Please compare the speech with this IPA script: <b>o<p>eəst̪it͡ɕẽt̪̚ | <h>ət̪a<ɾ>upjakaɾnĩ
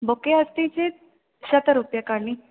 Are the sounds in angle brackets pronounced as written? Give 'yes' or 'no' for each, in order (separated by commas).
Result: yes, no, no, yes